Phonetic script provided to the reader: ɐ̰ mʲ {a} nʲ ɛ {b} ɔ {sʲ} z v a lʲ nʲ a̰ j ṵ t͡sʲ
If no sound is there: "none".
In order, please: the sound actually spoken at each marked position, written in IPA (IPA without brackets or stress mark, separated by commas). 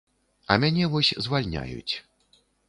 a, v, sʲ